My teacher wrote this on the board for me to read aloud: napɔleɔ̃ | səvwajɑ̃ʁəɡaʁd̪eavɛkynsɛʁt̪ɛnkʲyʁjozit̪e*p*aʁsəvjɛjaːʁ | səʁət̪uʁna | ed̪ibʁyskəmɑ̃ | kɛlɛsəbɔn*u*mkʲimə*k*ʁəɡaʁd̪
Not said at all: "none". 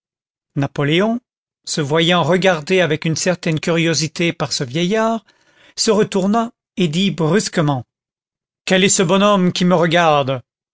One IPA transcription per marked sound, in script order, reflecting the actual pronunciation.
p, ɔ, none

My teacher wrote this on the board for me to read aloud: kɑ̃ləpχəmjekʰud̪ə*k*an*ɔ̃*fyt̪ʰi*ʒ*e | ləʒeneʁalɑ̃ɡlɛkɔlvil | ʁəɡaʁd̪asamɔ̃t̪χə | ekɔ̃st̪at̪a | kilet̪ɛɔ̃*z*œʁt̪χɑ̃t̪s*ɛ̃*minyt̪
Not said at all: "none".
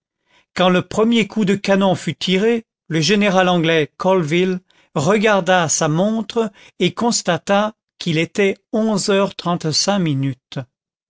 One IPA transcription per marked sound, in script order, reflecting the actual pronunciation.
k, ɔ̃, ʁ, z, ɛ̃

